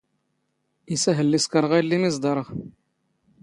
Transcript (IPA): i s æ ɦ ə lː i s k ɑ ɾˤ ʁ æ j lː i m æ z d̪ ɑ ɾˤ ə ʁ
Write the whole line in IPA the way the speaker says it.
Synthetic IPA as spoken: i s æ ɦ ə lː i s k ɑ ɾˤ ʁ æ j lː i m i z d̪ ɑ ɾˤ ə ʁ